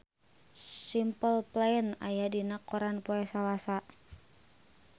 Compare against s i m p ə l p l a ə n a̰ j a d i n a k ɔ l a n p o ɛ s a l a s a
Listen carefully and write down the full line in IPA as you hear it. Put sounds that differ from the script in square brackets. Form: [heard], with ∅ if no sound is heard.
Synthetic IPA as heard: s i m p ə l p l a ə n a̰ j a d i n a k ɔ [ɾ] a n p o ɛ s a l a s a